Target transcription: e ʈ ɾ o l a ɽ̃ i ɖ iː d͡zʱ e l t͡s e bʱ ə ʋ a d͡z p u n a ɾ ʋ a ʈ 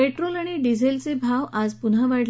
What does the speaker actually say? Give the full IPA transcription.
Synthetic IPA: e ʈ ɾ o l a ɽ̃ i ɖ i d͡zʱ e l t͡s e bʱ a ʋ a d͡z p u n a ʋ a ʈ